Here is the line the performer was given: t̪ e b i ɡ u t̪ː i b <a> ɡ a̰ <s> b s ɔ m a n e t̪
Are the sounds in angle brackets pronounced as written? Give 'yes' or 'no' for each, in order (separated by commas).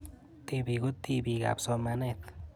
no, no